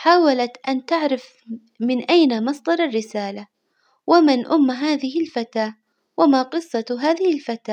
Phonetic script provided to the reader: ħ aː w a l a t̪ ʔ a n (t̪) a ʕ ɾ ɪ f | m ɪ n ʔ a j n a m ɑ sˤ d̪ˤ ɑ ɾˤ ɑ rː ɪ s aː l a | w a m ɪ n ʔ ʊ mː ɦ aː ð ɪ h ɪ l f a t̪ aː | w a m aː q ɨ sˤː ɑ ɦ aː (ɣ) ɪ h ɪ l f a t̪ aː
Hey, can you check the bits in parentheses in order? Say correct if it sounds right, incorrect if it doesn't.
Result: correct, incorrect: ð

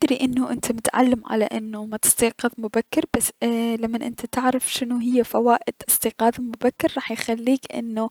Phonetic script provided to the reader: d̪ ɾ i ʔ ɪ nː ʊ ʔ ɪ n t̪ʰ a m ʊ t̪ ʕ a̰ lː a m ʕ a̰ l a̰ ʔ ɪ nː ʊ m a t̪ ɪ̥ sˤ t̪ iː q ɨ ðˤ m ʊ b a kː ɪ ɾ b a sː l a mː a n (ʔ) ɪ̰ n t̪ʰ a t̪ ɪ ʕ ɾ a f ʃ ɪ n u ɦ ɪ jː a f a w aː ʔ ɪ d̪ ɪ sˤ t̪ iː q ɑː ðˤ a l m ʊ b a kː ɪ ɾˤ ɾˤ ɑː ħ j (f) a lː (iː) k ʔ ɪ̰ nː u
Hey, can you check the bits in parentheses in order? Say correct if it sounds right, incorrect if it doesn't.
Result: correct, incorrect: x, correct

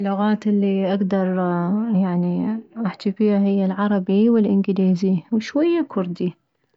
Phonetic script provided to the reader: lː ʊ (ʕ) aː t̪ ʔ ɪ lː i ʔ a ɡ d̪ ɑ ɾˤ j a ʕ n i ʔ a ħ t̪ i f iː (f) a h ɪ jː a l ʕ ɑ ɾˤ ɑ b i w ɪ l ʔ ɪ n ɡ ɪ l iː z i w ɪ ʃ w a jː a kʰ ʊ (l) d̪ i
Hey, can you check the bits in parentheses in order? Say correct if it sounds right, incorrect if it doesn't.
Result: incorrect: ɣ, incorrect: h, incorrect: ɾ

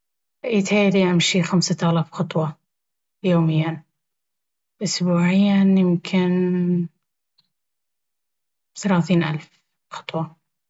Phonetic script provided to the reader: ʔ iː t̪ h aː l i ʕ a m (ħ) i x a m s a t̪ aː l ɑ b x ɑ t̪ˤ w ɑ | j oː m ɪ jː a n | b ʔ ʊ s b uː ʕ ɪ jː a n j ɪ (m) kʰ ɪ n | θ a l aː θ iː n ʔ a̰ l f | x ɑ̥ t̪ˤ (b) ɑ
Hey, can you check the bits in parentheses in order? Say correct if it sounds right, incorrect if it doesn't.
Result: incorrect: ʃ, correct, incorrect: w

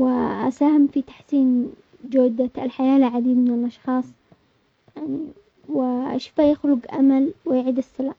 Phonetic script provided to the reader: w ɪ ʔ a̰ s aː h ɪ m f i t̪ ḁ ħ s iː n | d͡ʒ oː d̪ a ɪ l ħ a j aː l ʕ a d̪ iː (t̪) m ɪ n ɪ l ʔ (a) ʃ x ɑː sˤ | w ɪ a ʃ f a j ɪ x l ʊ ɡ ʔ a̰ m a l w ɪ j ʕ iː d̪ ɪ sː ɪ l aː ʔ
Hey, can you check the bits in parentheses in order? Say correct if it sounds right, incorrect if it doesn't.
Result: incorrect: d̪, incorrect: ɑ

